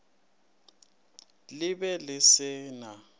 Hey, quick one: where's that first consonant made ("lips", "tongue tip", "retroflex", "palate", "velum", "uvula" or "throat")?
tongue tip